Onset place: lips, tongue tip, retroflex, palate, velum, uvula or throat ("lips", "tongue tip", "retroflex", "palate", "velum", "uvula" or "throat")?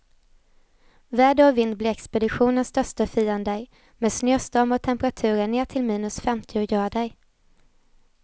lips